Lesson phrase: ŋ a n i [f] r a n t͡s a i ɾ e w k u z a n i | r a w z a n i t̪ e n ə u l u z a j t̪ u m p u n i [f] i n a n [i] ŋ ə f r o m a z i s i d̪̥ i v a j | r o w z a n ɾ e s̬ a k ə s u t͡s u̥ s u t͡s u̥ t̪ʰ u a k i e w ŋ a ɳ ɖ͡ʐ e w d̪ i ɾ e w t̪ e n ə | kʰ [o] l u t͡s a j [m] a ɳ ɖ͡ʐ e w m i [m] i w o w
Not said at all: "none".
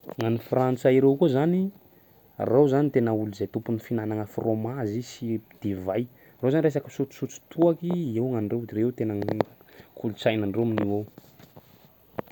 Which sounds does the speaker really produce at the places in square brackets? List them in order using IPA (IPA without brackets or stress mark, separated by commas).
f, f, a, u, n, n